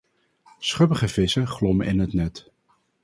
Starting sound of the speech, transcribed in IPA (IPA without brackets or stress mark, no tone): s